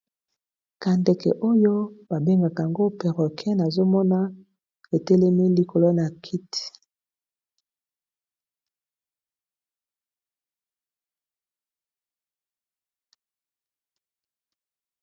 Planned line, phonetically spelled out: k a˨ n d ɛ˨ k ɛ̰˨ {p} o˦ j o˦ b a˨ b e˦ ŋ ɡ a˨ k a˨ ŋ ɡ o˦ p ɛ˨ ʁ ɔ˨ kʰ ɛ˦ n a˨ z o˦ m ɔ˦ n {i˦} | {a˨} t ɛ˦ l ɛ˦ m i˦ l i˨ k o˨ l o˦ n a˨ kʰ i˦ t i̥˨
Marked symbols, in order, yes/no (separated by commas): no, no, no